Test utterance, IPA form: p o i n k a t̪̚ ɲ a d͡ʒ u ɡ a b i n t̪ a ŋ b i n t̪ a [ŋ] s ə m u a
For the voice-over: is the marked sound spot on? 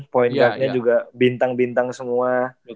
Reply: yes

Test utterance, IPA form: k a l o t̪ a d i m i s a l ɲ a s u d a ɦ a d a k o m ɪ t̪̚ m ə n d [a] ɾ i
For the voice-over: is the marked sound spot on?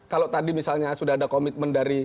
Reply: yes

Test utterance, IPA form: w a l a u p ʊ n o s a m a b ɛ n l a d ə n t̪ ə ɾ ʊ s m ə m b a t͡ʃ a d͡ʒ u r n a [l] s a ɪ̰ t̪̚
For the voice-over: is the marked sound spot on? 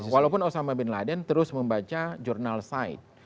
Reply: yes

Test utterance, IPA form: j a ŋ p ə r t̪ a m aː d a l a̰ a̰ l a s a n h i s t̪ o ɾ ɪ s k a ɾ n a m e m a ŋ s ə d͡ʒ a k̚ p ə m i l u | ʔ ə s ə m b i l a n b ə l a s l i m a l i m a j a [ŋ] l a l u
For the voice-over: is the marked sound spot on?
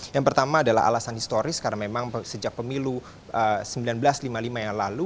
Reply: yes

